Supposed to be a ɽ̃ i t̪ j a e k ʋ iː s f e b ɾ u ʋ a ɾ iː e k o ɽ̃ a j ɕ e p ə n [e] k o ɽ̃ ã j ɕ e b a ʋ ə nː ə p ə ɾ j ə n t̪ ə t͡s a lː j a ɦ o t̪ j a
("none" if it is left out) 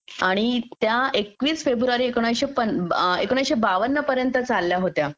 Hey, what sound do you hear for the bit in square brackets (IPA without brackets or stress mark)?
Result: e